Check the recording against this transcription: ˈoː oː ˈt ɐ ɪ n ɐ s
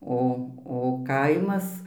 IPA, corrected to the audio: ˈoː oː ˈk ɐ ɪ m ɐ s